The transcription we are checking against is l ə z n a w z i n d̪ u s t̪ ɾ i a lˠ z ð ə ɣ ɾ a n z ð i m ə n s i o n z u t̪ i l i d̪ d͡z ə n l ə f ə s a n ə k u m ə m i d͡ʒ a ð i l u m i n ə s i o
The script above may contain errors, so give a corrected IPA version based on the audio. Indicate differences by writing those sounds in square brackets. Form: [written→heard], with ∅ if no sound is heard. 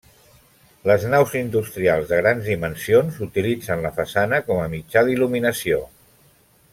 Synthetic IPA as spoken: l ə z n a w z i n d̪ u s t̪ ɾ i a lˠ z ð ə ɣ ɾ a n z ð i m ə n s i o n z u t̪ i l i [d̪→∅] d͡z ə n l ə f ə s a n ə k [u→ɔ] m ə m i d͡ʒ a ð i l u m i n ə s i o

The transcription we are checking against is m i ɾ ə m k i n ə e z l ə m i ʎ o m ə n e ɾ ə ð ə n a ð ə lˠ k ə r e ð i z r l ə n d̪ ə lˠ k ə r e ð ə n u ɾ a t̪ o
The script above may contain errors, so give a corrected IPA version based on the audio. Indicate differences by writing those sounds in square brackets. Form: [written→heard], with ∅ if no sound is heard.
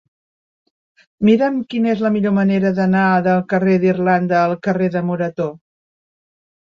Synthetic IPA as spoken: m i ɾ ə m k i n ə e z l ə m i ʎ o m ə n e ɾ ə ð ə n a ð ə lˠ k ə r e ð i [z→∅] r l [ə→a] n d̪ [ə→əː] lˠ k ə r e ð ə [n→m] u ɾ [a→ə] t̪ o

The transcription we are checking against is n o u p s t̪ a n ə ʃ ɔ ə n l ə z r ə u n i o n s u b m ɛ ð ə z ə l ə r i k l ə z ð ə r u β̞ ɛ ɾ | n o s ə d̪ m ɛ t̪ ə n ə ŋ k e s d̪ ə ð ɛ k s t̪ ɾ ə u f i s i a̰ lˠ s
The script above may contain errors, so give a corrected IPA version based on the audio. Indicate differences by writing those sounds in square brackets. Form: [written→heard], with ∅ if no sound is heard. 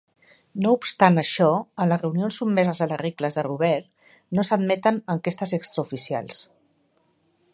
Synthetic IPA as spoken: n o u p s t̪ a n ə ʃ ɔ ə n l ə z r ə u n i o n s u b m ɛ [ð→z] ə z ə l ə r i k l ə z ð ə r u β̞ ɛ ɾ | n o s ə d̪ m ɛ t̪ ə n ə ŋ k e s [d̪→t̪] ə [ð→z] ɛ k s t̪ ɾ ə u f i s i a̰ lˠ s

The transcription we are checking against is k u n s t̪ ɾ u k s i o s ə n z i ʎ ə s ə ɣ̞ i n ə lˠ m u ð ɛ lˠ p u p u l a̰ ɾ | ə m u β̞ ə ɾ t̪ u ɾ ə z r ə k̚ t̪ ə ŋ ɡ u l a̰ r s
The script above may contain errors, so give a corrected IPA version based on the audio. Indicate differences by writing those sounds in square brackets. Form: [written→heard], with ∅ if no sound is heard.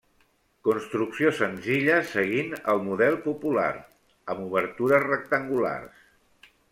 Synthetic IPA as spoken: k u n s t̪ ɾ u k s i o s ə n z i ʎ ə s ə ɣ̞ i n ə lˠ m u ð ɛ lˠ p u p u l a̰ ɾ | ə m u β̞ ə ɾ t̪ u ɾ ə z r ə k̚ t̪ ə ŋ ɡ u l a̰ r s

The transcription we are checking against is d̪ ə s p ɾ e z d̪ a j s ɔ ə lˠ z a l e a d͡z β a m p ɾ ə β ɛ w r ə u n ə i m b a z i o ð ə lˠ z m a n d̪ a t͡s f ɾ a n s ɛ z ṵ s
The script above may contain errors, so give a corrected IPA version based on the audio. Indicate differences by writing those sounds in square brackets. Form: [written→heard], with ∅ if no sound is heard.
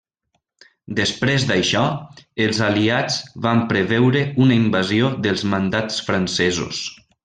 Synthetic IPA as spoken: d̪ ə s p ɾ e z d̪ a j [s→ʃ] ɔ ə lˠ z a l [e→i] a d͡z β a m p ɾ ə β ɛ w [r→ɾ] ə u n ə i m b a z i o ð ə lˠ z m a n d̪ a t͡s f ɾ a n s ɛ z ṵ s

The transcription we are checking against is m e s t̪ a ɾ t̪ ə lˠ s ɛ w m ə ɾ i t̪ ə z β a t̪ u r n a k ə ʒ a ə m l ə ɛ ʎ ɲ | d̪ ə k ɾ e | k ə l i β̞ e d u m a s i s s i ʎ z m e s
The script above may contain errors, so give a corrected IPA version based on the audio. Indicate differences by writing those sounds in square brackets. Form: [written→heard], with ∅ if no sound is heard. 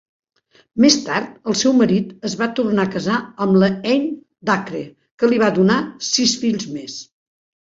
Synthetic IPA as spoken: m e s t̪ a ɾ t̪ ə lˠ s ɛ w m ə ɾ i t̪ ə z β a t̪ u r n a k ə [ʒ→z] a ə m l ə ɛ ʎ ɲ | d̪ [ə→a] k ɾ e | k ə l i β̞ [e→a] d u [m→n] a s i s [s→f] i ʎ z m e s

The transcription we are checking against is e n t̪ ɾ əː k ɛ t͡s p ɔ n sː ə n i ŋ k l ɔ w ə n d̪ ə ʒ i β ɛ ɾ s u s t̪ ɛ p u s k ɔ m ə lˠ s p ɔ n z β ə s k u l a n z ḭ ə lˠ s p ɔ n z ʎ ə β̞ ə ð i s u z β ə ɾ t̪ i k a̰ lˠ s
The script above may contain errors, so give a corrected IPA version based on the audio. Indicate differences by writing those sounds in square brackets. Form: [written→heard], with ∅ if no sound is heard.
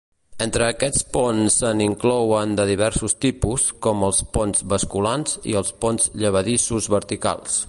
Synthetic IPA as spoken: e n t̪ ɾ əː k ɛ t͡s p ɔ n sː ə n i ŋ k l ɔ w ə n d̪ ə [ʒ→ð] i β ɛ ɾ s u s t̪ [ɛ→i] p u s k ɔ m ə lˠ s p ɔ n z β ə s k u l a n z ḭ ə lˠ s p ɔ n z ʎ ə β̞ ə ð i s u z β ə ɾ t̪ i k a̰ lˠ s

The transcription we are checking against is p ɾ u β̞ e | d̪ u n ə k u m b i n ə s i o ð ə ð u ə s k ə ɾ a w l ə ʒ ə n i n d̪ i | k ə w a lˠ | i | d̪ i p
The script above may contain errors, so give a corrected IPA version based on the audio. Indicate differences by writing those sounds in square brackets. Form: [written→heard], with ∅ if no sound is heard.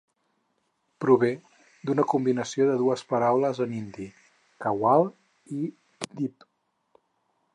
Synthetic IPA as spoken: p ɾ u β̞ e | d̪ u n ə k u m b i n ə s i o ð ə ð u ə s [k→p] ə ɾ a w l ə [ʒ→z] ə n i n d̪ i | k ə w a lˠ | i | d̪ i p

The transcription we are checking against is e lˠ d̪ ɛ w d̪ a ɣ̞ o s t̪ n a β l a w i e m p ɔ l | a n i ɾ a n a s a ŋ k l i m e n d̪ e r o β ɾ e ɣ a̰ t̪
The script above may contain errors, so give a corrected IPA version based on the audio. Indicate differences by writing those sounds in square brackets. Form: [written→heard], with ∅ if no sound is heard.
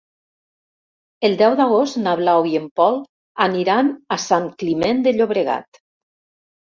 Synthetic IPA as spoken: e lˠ d̪ ɛ w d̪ a ɣ̞ o s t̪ n a β l a w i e m p ɔ l | a n i ɾ a n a s a ŋ k l i m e n d̪ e [r→ʎ] o β ɾ e ɣ a̰ t̪

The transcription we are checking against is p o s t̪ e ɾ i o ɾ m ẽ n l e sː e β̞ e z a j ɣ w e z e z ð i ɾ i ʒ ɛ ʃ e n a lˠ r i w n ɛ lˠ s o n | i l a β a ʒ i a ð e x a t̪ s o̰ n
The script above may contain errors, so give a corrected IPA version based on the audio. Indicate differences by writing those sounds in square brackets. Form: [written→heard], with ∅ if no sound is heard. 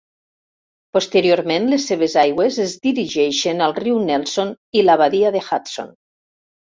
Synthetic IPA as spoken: p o s t̪ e ɾ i o ɾ m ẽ n l e sː e β̞ e z a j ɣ w e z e z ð i ɾ i ʒ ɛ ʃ e n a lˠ r i w n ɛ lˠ s o n | i l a β a [ʒ→ð] i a ð e x a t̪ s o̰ n

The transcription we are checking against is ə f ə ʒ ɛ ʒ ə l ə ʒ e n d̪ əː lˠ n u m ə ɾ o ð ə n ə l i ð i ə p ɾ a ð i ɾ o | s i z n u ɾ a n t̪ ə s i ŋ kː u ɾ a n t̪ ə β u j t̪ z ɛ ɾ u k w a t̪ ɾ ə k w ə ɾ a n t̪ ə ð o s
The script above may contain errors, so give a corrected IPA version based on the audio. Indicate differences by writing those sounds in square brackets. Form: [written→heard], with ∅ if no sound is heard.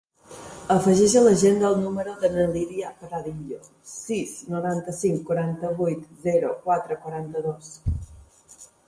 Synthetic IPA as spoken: ə f ə ʒ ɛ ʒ ə l ə ʒ e n d̪ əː lˠ n u m ə ɾ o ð ə n ə l i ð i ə p ɾ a ð i [ɾ→ʎ] o | s i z n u ɾ a n t̪ ə s i ŋ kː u ɾ a n t̪ ə β u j t̪ z ɛ ɾ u k w a t̪ ɾ ə k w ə ɾ a n t̪ ə ð o s

